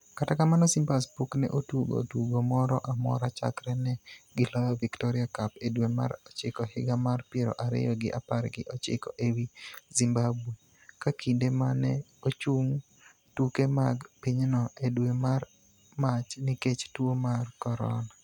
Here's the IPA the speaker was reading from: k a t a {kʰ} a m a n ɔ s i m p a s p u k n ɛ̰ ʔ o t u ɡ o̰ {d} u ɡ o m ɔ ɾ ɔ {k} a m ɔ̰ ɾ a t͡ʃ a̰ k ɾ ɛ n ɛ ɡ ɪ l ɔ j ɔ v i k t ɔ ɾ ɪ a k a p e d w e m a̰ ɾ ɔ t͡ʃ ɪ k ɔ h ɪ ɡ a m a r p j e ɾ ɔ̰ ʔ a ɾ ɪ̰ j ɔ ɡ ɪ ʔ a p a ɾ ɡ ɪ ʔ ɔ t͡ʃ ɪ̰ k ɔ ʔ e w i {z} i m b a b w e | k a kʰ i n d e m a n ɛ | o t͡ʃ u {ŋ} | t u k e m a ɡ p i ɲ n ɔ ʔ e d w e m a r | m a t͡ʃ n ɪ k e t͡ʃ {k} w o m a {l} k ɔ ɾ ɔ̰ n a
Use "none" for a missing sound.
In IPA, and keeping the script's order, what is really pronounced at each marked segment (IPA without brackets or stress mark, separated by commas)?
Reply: k, t, ʔ, z, ŋ, t, r